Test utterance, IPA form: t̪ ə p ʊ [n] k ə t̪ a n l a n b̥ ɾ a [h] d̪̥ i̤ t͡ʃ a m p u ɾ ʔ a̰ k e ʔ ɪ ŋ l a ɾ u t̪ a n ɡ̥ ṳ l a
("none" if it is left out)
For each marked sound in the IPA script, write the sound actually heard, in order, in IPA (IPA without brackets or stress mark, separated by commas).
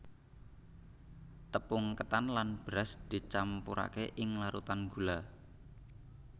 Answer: ŋ, s